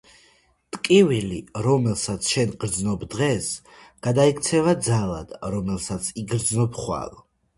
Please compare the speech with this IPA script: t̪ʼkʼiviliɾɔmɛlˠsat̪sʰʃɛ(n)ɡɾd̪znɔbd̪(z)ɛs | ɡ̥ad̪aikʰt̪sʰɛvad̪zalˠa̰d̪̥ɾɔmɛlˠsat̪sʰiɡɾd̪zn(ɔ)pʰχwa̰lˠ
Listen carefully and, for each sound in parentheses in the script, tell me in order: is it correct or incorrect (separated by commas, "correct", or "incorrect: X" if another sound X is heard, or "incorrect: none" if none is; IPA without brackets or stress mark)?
correct, incorrect: ʁ, correct